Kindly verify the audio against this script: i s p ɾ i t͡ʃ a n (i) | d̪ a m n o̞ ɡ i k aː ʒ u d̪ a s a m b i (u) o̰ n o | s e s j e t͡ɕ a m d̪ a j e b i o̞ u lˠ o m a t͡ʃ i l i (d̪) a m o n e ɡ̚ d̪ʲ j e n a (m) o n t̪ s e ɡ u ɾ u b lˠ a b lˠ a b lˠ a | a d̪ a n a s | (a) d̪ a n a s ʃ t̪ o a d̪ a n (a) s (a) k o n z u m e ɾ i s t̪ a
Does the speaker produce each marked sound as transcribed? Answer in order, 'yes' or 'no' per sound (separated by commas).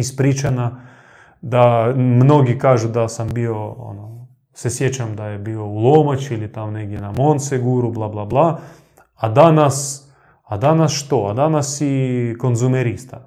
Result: no, no, no, yes, yes, yes, no